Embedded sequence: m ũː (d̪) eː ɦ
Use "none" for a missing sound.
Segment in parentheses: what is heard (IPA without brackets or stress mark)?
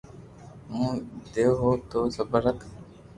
d̪